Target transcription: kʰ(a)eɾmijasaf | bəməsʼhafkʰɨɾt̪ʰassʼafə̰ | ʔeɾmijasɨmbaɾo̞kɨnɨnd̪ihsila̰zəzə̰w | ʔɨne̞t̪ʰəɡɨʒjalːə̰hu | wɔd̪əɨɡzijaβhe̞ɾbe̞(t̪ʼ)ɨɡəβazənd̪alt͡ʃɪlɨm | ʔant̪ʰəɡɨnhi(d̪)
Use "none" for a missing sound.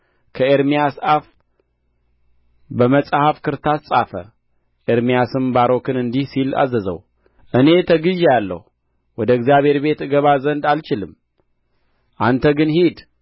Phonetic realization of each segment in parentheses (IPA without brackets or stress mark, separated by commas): ə, t̪, d̪